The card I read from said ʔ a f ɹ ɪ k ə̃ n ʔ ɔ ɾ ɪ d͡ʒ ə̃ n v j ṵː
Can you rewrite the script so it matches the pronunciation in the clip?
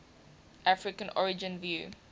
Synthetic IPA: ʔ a f ɹ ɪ k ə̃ n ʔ ɔ ɹ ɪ d͡ʒ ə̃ n v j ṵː